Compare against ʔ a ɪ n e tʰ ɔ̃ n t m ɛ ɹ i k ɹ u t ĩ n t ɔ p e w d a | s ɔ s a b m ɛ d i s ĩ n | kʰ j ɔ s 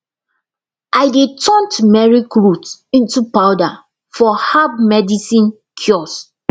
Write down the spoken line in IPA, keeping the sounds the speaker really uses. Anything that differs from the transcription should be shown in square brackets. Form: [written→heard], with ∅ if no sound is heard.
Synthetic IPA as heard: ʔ a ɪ [n→d] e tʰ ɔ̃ n t m ɛ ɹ i k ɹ u t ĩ n t [ɔ→u] p [e→a] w d a | [s→f] ɔ [s→h] a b m ɛ d i s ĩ n | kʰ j ɔ s

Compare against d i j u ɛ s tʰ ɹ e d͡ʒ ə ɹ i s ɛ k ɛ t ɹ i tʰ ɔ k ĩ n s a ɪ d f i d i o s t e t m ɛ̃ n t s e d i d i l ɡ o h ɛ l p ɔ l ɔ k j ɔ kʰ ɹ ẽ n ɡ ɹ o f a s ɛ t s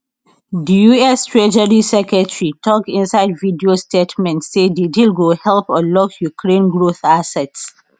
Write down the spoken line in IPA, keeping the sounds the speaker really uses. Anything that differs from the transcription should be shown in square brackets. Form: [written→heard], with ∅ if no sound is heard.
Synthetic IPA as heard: d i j u ɛ s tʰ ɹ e d͡ʒ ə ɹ i s ɛ k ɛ t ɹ i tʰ ɔ k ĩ n s a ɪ d [f→v] i d i o s t e t m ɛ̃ n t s e d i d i l ɡ o h ɛ l p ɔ l ɔ k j [ɔ→u] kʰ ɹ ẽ n ɡ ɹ o [f→θ] a s ɛ t s

